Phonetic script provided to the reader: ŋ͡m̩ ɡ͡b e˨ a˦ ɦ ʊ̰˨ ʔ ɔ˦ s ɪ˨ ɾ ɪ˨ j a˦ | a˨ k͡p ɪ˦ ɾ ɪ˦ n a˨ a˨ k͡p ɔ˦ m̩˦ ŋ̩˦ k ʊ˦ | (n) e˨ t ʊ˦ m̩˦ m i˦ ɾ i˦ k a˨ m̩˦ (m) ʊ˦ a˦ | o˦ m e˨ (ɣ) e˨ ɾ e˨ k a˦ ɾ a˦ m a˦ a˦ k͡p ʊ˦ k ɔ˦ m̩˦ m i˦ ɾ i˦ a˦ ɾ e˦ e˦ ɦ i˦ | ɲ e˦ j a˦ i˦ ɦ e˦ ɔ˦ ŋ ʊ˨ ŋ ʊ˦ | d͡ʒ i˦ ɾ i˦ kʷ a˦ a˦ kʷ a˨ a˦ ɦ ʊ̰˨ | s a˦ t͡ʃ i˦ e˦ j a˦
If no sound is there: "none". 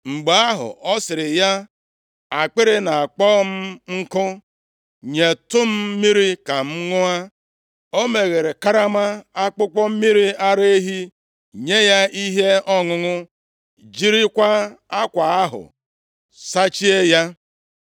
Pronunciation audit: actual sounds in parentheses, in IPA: ɲ, ŋ, ɣ

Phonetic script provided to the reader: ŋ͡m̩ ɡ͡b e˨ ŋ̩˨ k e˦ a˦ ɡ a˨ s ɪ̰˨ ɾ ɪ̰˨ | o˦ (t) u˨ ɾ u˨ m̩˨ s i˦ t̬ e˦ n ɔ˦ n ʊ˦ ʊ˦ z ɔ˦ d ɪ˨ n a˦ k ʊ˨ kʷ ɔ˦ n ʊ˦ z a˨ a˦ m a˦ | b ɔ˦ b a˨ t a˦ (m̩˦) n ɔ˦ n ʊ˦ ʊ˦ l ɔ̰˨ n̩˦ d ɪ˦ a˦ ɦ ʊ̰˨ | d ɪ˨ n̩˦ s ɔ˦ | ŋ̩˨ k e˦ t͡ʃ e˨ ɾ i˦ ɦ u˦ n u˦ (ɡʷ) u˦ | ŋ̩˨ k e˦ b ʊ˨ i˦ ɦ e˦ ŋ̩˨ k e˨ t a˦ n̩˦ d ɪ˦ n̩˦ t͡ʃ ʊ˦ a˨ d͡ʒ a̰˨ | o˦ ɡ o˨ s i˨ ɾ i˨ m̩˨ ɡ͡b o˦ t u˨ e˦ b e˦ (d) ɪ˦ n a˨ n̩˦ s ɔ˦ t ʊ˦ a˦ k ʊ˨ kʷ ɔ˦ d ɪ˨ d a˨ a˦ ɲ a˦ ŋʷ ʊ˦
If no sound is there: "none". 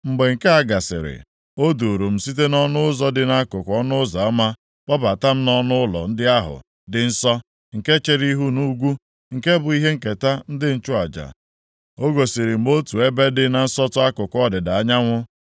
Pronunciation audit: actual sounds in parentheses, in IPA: d, m̩˦, ɡʷ, d

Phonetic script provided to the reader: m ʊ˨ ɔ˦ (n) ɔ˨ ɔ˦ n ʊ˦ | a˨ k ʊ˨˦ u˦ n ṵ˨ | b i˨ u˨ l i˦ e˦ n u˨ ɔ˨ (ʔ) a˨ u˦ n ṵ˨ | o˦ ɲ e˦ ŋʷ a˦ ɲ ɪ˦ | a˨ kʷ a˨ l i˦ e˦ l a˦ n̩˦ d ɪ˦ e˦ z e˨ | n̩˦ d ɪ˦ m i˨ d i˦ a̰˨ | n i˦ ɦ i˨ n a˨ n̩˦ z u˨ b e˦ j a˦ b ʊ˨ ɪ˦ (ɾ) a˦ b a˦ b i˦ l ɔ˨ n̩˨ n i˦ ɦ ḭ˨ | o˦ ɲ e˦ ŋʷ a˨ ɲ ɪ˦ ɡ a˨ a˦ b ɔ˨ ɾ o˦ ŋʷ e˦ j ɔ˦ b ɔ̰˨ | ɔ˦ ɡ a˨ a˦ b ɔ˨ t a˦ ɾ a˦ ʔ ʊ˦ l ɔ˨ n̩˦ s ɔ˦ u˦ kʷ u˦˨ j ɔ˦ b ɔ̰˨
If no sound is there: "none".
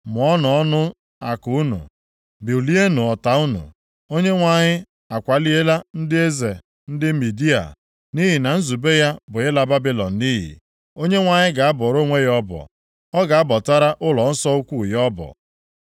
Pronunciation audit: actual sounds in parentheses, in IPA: n, t, l

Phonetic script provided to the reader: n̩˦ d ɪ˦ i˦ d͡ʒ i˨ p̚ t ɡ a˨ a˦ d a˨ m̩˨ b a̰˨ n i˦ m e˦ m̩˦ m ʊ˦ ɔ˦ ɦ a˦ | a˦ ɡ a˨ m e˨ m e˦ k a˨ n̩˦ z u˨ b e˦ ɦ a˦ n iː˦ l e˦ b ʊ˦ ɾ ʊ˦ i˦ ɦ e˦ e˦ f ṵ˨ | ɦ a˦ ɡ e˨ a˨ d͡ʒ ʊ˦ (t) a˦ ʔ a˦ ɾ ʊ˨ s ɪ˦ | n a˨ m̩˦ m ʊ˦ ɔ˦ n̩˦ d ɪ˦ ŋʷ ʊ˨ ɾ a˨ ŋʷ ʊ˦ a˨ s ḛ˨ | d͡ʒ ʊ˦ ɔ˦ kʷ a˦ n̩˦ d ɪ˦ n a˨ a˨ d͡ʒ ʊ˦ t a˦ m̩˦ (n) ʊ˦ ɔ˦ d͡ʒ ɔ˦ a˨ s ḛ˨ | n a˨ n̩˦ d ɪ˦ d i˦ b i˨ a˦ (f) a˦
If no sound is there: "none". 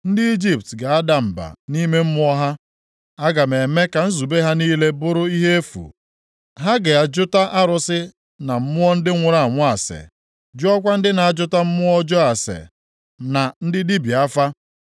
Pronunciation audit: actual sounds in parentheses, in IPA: t, m, f

